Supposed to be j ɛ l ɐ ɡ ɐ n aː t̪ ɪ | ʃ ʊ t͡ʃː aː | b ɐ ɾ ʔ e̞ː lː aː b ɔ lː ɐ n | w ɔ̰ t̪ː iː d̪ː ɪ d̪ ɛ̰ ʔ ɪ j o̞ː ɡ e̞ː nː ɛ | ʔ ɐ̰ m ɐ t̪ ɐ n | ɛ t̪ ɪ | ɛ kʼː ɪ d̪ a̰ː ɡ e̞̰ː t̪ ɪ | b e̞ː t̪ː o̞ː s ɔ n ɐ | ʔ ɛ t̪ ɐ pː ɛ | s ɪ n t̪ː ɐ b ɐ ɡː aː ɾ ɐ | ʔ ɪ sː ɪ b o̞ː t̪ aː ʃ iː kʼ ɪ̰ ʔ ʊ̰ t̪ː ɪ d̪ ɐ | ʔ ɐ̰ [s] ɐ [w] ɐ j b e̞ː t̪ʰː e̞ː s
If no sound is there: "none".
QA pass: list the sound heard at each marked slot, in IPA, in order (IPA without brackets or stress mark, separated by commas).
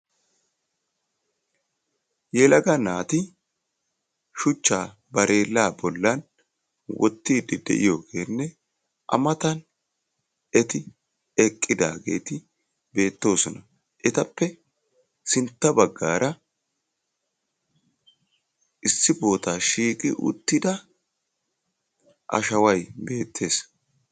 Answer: ʃ, w